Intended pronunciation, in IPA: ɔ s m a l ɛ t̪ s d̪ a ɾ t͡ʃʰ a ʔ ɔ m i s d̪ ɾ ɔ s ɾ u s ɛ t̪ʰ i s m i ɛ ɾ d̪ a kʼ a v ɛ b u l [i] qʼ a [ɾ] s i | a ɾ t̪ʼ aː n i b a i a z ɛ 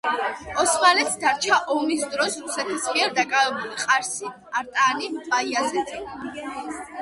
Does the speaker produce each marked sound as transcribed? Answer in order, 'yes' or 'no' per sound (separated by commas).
yes, yes